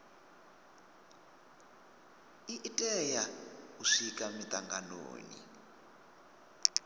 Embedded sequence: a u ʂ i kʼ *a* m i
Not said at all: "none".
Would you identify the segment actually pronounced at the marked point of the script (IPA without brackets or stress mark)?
a